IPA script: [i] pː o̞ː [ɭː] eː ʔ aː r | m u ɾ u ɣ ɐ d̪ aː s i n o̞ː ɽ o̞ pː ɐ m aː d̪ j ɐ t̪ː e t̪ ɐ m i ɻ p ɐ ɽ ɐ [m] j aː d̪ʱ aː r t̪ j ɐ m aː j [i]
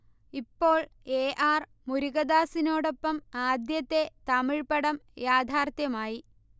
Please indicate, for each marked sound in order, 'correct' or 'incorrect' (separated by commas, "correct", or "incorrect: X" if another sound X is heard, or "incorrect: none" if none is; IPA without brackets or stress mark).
correct, incorrect: ɭ, correct, correct